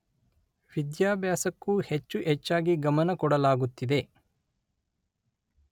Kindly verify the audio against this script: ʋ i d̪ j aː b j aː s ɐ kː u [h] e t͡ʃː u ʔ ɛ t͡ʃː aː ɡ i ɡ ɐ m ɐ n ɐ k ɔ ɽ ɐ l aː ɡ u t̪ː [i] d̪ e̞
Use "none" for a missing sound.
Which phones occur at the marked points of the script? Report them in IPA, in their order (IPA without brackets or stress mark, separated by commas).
h, i